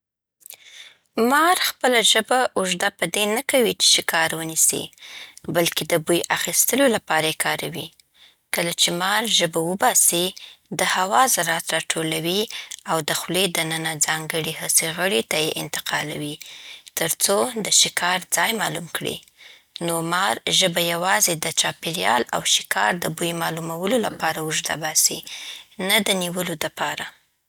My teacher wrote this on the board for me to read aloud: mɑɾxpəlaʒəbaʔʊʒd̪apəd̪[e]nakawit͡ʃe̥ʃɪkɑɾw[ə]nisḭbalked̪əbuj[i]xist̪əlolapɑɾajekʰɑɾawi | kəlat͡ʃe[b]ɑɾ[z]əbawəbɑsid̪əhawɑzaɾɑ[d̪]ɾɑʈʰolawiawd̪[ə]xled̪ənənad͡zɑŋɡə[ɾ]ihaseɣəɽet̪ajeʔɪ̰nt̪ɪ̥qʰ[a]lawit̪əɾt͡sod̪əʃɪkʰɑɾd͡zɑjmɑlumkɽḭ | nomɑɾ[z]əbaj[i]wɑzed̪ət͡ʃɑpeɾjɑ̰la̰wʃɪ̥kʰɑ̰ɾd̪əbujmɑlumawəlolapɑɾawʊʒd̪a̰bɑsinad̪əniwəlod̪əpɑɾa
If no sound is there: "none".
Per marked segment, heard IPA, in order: e, ə, a, m, ʒ, t̪, ə, ɽ, ɑ, ʒ, a

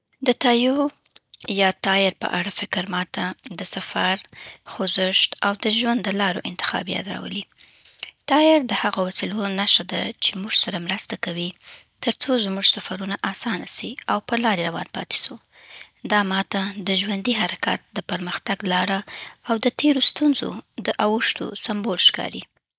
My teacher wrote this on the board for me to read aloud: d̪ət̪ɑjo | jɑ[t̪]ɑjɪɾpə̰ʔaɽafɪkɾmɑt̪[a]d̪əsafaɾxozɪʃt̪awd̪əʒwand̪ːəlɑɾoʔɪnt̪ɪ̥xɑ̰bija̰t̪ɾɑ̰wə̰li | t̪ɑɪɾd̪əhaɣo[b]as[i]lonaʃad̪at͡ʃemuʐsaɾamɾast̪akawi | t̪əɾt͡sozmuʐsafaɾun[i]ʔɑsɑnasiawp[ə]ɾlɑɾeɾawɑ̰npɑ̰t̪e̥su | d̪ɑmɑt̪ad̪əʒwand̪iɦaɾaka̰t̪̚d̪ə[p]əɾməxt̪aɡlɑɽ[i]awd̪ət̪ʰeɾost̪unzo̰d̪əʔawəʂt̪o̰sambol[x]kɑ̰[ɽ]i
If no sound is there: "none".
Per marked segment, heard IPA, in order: t̪, a, w, i, a, ə, p, a, ʃ, ɾ

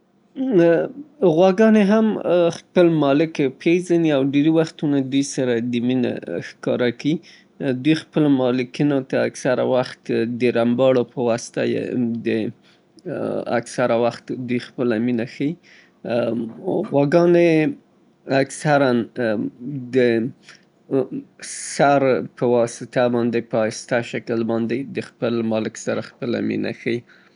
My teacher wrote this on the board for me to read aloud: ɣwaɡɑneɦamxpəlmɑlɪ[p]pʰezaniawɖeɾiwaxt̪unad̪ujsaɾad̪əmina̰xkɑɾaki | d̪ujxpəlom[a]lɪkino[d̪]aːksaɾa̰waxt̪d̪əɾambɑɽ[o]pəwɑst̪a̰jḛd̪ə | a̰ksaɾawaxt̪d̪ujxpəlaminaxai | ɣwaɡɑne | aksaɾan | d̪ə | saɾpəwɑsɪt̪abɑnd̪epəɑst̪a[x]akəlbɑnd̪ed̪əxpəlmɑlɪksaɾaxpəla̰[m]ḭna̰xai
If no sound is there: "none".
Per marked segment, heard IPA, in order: k, ɑ, t̪, o, ʃ, m

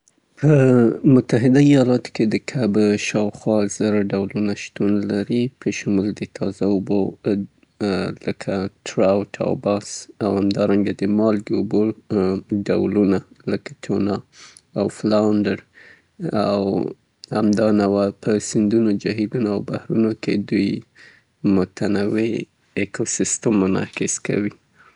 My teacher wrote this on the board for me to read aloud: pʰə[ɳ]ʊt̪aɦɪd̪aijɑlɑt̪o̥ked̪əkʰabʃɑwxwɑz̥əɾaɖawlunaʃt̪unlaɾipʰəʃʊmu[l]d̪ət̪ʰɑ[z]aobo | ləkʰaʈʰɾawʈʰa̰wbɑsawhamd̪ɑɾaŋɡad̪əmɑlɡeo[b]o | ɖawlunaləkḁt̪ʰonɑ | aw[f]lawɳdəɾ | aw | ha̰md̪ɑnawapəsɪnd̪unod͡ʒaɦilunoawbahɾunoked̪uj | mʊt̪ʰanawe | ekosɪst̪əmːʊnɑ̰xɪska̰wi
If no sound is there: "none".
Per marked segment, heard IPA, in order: m, l, z, b, f

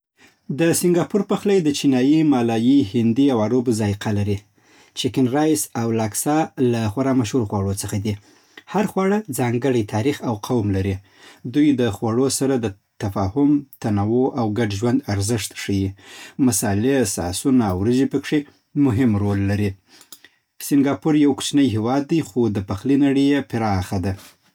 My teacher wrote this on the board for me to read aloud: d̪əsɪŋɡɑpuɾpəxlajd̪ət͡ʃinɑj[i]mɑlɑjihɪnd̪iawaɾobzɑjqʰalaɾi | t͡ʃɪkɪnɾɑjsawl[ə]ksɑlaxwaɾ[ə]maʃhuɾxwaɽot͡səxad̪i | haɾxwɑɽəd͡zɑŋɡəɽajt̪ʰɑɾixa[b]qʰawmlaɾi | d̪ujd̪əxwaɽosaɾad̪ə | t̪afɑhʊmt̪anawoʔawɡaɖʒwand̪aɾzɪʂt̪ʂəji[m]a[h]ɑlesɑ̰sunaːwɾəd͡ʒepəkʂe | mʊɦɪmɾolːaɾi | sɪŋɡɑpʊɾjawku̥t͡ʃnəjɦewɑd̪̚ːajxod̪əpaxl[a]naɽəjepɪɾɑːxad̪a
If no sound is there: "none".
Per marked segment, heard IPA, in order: i, ɑ, ɑ, w, m, s, i

